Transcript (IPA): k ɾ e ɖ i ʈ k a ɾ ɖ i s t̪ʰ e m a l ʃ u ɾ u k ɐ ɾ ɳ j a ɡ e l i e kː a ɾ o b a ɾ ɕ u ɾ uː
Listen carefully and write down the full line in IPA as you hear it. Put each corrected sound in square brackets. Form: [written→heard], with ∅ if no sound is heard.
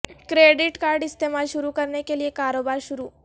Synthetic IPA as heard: k ɾ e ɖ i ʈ k a ɾ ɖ i s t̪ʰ e m a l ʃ u ɾ u k [ɐ→ə] ɾ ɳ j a [ɡ→k] e l i e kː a ɾ o b a ɾ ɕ u ɾ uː